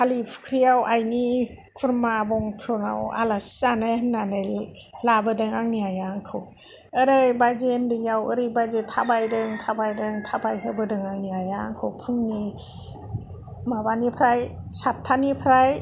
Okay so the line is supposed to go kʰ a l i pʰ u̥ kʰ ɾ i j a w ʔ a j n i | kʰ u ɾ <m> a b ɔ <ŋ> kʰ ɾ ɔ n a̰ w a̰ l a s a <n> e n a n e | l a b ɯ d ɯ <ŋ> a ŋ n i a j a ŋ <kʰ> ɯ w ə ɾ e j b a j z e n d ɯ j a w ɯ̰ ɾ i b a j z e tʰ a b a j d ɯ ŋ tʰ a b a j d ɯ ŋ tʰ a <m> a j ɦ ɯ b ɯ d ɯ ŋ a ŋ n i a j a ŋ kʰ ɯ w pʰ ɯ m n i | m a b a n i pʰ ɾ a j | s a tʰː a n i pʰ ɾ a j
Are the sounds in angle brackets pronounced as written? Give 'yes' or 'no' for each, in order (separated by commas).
yes, yes, yes, yes, yes, no